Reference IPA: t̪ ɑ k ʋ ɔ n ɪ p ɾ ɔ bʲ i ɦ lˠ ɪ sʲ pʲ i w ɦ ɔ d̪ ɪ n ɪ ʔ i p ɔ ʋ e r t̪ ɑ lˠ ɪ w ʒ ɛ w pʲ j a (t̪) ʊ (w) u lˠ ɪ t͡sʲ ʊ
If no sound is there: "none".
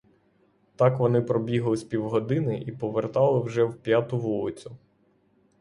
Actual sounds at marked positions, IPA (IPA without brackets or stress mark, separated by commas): t̪, ʋ